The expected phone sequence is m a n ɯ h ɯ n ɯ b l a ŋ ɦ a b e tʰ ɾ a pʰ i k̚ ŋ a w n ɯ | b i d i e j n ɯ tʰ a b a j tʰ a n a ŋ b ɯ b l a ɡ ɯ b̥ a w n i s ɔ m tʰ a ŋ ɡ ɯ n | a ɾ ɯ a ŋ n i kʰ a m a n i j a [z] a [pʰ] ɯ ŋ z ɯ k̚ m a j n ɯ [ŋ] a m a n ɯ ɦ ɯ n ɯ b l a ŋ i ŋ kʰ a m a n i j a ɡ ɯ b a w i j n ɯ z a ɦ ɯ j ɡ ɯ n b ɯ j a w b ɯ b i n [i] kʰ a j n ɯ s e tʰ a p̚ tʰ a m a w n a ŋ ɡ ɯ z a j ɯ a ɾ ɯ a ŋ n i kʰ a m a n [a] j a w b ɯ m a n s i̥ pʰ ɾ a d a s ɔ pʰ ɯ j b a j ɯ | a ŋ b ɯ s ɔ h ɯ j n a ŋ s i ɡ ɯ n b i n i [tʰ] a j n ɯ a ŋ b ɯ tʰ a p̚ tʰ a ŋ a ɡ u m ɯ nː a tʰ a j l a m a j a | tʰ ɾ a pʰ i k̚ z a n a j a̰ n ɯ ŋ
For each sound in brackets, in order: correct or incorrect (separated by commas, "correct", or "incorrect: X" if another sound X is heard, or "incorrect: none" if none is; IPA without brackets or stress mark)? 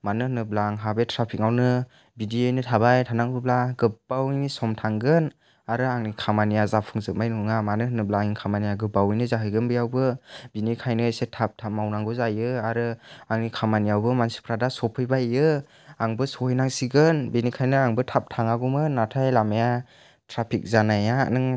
correct, correct, correct, correct, incorrect: i, incorrect: kʰ